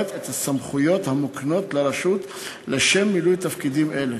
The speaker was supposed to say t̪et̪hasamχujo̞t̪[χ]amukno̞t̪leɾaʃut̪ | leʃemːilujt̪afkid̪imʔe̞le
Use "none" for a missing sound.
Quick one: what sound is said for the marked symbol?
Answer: h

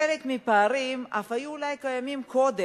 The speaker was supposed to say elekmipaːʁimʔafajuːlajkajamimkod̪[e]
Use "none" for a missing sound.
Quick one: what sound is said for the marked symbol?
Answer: e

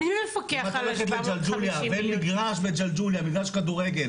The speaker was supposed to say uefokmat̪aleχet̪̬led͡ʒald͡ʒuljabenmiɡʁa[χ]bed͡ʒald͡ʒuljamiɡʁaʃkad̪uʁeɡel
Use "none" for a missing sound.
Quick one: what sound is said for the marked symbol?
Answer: ʃ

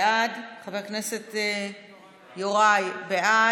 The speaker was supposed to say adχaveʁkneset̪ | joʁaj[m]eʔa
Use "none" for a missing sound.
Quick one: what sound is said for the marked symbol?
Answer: b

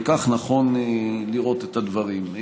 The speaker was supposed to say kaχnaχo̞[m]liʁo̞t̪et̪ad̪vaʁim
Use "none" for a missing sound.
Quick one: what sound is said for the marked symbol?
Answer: n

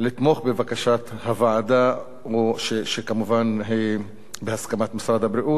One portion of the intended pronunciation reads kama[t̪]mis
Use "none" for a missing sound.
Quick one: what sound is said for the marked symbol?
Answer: t̪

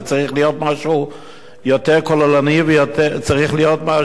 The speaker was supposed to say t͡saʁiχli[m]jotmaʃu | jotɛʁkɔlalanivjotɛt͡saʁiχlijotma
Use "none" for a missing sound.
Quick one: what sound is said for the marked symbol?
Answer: none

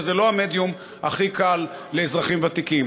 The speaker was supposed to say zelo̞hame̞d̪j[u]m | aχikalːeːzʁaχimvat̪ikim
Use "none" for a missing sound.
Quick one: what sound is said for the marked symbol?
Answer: u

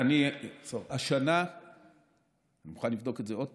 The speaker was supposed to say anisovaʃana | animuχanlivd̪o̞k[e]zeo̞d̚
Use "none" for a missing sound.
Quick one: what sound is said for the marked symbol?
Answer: e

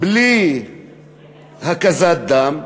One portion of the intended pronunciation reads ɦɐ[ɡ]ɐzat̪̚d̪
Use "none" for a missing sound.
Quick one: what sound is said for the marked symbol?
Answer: k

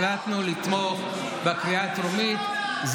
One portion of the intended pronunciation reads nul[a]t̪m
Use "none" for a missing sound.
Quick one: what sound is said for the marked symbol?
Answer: i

